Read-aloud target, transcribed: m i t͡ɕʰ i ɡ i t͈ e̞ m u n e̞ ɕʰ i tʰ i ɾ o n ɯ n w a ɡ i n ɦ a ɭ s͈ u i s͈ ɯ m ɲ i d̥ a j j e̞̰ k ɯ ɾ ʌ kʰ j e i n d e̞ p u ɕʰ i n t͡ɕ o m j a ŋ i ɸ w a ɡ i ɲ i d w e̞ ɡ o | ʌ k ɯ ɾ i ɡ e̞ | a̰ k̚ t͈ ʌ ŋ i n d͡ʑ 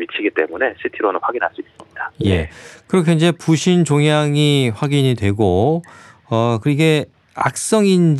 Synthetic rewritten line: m i t͡ɕʰ i ɡ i t͈ e̞ m u n e̞ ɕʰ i tʰ i ɾ o n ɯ n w a ɡ i n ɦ a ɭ s͈ u i s͈ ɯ m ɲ i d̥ a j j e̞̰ k ɯ ɾ ʌ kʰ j e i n d͡ʑ e̞ p u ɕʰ i n t͡ɕ o ŋ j a ŋ i ɸ w a ɡ i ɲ i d w e̞ ɡ o | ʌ k ɯ ɾ i ɡ e̞ | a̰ k̚ s͈ ʌ ŋ i n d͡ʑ